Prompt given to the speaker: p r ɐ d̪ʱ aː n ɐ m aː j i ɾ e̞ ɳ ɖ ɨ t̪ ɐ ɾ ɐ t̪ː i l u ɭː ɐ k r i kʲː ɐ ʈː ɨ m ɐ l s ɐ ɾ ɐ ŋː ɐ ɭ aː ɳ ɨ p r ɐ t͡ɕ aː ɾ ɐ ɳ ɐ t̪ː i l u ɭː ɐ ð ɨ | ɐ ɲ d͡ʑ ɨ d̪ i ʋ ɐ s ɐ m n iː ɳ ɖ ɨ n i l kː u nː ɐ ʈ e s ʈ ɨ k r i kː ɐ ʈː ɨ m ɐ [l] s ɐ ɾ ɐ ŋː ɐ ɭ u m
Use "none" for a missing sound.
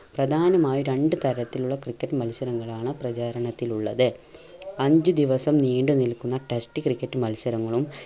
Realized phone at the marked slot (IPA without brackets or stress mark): l